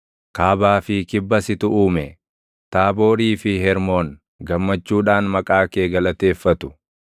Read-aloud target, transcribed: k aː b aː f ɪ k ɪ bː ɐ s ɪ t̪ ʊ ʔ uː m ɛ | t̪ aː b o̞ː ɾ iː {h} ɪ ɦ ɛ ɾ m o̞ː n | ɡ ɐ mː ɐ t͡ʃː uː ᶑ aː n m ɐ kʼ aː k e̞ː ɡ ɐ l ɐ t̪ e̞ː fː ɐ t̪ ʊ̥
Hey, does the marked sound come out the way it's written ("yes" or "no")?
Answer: no